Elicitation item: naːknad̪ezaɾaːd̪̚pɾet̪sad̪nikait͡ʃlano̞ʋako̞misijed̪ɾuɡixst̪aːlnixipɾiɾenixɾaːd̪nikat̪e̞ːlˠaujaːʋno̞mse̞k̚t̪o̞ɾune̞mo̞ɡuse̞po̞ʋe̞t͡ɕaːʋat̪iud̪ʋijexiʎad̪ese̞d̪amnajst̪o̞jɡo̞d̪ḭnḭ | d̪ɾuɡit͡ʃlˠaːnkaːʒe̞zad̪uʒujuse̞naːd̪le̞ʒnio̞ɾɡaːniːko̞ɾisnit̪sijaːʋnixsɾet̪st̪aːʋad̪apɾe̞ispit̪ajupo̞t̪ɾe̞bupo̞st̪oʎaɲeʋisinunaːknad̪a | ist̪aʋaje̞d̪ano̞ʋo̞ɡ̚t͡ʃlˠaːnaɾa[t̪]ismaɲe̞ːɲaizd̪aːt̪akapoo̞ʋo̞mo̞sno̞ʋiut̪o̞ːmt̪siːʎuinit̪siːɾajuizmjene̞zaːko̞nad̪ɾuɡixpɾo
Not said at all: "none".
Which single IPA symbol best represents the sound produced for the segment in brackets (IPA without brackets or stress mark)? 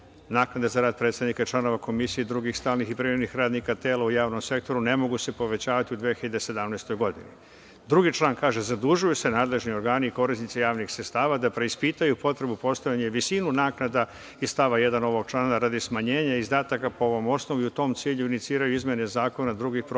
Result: d̪